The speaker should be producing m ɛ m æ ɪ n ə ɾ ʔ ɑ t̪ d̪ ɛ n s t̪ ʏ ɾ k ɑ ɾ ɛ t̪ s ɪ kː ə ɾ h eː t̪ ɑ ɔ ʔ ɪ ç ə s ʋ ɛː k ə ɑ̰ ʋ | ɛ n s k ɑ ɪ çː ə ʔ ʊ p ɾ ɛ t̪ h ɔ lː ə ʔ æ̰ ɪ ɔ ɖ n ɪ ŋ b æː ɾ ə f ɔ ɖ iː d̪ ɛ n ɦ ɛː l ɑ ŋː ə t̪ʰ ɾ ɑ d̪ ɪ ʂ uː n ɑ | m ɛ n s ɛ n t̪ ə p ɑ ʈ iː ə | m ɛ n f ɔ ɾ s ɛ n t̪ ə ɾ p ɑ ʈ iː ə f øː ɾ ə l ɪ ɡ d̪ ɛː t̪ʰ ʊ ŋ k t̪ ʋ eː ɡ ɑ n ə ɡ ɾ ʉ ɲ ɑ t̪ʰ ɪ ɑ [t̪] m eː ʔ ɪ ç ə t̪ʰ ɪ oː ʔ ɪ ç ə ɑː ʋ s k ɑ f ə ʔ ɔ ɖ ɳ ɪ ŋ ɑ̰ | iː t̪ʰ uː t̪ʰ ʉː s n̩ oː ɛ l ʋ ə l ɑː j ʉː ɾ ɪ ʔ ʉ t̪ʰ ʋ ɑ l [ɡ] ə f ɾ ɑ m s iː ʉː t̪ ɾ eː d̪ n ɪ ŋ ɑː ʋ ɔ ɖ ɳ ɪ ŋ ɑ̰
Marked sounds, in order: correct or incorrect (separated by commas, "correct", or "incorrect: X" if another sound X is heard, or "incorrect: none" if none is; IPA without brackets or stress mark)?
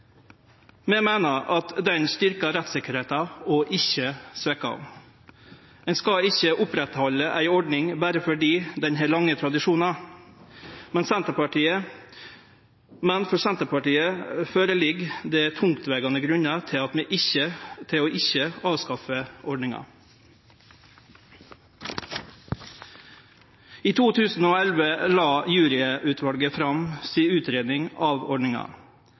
correct, correct